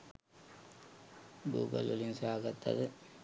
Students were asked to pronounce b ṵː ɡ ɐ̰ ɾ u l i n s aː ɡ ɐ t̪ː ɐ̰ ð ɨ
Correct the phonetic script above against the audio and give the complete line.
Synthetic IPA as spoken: ɡ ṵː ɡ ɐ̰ l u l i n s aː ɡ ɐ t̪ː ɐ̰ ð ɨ